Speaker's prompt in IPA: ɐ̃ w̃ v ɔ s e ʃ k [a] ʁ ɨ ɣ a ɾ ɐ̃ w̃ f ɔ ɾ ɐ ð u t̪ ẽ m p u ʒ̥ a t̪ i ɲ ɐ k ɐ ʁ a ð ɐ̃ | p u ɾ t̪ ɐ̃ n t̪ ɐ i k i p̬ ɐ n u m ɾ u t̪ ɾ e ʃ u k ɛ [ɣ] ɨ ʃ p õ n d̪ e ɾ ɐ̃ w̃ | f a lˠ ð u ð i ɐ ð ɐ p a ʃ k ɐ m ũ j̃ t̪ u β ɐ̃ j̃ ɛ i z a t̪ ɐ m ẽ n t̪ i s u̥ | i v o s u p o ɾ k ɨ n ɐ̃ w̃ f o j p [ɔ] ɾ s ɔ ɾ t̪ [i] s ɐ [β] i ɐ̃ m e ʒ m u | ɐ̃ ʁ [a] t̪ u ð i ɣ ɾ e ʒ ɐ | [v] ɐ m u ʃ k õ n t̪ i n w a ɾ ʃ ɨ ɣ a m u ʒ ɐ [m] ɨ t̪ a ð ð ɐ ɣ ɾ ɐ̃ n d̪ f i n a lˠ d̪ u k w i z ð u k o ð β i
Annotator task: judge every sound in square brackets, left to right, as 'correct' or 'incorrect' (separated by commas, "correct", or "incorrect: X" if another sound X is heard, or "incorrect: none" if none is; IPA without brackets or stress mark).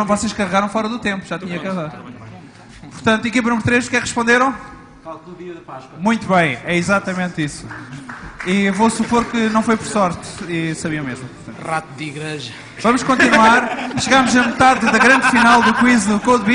incorrect: ɐ, incorrect: ʁ, correct, correct, correct, correct, correct, correct